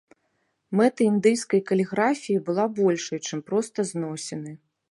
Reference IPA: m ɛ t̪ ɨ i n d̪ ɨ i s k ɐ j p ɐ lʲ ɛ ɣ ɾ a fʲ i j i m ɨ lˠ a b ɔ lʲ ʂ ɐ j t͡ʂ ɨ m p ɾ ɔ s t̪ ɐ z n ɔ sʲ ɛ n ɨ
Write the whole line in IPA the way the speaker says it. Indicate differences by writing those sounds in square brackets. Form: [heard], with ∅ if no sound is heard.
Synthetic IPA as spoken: m ɛ t̪ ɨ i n d̪ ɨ [j] s k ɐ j [k] ɐ lʲ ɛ ɣ ɾ a fʲ i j i [b] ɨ lˠ a b ɔ lʲ ʂ ɐ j t͡ʂ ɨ m p ɾ ɔ s t̪ ɐ z n ɔ sʲ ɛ n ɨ